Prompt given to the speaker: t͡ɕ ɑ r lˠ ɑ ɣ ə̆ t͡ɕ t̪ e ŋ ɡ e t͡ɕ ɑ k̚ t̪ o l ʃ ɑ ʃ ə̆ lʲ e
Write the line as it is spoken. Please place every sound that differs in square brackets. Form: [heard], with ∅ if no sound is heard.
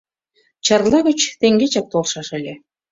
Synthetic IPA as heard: t͡ɕ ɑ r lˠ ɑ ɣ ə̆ t͡ɕ t̪ e ŋ ɡ e t͡ɕ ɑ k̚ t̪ o l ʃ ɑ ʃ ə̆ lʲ e